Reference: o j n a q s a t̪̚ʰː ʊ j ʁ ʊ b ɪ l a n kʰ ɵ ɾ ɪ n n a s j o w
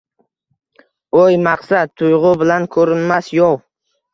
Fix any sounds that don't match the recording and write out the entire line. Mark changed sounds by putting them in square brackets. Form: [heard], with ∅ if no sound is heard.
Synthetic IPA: o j [m] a q s a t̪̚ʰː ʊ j ʁ ʊ b ɪ l a n kʰ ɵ ɾ ɪ n [m] a s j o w